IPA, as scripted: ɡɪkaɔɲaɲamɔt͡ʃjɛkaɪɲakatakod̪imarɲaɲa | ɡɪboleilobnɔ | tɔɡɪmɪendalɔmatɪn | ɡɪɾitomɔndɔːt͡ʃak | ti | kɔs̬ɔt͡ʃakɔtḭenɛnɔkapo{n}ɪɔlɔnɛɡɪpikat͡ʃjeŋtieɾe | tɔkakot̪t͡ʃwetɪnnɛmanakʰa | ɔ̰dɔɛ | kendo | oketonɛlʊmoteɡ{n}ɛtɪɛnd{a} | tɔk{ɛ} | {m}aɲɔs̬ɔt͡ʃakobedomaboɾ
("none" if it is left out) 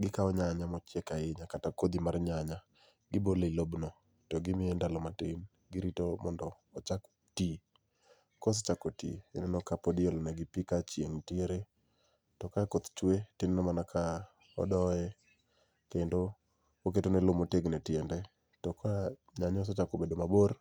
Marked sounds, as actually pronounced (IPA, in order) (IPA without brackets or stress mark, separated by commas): d, n, ɛ, a, ɲ